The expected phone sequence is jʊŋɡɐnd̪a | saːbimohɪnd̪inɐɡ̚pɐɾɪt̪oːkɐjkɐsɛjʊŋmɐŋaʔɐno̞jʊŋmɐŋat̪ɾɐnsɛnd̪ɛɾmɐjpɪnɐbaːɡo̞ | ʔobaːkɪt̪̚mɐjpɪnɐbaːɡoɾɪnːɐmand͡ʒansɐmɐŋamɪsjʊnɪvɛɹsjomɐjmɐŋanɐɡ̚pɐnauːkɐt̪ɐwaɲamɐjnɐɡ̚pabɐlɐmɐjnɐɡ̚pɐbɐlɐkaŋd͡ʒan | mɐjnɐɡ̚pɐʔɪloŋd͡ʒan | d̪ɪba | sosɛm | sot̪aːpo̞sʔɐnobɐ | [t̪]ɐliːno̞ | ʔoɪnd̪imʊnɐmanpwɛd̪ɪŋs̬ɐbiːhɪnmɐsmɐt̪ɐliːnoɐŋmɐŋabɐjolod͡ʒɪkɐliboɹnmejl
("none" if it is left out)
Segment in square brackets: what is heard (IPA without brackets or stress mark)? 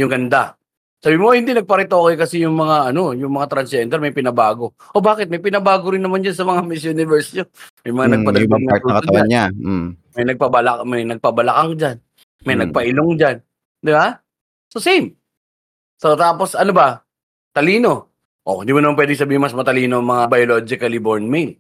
t̪